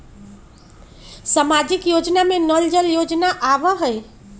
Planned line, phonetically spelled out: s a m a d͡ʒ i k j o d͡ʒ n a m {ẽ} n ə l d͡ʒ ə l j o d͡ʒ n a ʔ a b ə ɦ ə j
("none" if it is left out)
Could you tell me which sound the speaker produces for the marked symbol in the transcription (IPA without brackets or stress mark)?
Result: e